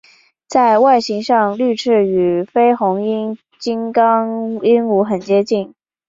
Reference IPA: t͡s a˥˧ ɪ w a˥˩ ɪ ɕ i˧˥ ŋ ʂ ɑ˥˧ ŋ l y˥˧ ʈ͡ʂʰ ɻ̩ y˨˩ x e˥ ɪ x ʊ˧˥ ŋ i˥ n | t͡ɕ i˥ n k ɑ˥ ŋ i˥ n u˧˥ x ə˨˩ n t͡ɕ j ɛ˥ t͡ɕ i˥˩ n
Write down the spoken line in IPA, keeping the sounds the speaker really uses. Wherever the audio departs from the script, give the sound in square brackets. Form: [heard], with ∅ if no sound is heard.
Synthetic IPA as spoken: t͡s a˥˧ ɪ w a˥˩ ɪ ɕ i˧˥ ŋ ʂ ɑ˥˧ ŋ l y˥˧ ʈ͡ʂʰ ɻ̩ y˨˩ [f] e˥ ɪ x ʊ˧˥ ŋ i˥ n | t͡ɕ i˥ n k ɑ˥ ŋ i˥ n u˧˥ x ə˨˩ n t͡ɕ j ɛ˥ t͡ɕ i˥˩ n